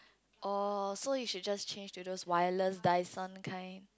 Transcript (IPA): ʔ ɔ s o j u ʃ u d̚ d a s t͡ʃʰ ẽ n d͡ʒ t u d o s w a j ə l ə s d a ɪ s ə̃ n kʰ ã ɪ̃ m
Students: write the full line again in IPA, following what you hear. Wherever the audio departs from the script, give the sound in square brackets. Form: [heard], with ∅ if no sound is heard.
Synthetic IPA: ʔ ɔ s o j u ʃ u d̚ [d͡ʒ] a s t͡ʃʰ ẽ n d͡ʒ t u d o s w a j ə l ə s d a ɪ s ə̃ n kʰ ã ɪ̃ [n]